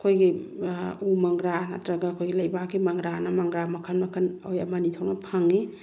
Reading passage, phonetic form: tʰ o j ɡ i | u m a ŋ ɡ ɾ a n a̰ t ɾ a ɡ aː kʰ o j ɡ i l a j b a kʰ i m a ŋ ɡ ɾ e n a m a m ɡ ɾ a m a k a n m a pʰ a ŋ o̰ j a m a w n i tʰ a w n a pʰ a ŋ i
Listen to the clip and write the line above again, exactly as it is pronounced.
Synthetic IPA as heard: kʰ o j ɡ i | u m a ŋ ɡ ɾ a n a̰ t ɾ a ɡ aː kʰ o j ɡ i l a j b a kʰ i m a ŋ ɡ ɾ a n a m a ŋ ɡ ɾ a m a kʰ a n m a kʰ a n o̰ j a m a n i tʰ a w n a pʰ a ŋ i